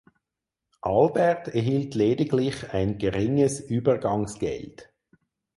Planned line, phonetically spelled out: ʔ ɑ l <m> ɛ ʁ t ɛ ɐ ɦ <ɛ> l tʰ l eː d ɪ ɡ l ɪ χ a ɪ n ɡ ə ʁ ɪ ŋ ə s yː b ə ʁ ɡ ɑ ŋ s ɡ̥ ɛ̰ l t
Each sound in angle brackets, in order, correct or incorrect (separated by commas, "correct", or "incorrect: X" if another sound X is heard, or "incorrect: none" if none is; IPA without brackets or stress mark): incorrect: b, incorrect: i